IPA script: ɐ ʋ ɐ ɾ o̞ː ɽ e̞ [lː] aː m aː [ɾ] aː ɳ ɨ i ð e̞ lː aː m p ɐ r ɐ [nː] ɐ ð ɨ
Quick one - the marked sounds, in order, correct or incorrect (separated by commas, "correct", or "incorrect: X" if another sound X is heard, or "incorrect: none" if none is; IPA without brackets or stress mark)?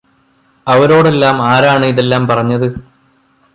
correct, correct, incorrect: ɲː